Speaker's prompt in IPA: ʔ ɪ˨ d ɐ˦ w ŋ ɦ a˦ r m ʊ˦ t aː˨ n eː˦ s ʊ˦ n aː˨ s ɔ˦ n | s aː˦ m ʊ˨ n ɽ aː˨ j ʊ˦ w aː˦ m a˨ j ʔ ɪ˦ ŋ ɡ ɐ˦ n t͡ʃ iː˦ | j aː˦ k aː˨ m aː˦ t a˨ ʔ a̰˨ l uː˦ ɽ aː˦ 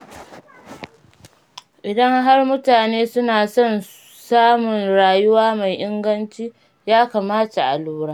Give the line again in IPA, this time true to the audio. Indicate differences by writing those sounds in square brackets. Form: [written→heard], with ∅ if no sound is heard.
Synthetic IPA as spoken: ʔ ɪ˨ d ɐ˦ [w→∅] ŋ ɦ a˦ r m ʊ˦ t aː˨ n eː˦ s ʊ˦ n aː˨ s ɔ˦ n | s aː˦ m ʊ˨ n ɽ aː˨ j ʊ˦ w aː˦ m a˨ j ʔ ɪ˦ ŋ ɡ ɐ˦ n t͡ʃ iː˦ | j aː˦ k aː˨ m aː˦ t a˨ ʔ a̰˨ l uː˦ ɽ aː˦